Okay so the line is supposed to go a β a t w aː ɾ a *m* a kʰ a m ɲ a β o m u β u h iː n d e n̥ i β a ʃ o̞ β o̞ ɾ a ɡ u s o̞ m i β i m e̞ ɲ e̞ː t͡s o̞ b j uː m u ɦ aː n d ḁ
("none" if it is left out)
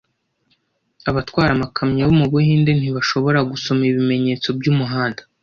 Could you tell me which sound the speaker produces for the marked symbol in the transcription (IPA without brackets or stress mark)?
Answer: m